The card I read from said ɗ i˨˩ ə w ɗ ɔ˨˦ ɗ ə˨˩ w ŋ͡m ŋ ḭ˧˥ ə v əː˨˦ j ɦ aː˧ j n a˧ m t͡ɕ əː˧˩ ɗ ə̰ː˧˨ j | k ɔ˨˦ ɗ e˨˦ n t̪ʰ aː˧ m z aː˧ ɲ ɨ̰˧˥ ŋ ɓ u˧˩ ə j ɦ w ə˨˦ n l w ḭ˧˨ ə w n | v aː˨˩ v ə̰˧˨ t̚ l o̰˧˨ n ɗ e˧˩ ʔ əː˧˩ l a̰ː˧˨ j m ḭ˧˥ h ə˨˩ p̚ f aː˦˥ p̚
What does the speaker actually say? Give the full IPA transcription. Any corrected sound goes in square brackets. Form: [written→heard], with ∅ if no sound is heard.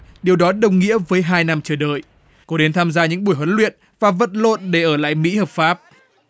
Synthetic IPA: ɗ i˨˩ ə w ɗ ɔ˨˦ ɗ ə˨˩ w ŋ͡m ŋ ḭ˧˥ ə v əː˨˦ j ɦ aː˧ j n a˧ m t͡ɕ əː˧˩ ɗ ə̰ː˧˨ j | k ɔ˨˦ ɗ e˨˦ n t̪ʰ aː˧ m z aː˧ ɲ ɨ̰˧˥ ŋ ɓ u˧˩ ə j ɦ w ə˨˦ n l w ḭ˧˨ ə [w→∅] n | v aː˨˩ v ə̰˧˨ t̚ l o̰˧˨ n ɗ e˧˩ ʔ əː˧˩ l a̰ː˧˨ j m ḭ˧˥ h [ə˨˩→əː˨˩] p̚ f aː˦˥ p̚